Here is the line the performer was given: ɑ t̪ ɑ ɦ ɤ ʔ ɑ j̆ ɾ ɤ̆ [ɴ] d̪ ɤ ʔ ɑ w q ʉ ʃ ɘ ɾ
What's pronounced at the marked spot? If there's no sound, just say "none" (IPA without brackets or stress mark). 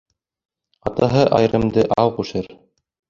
m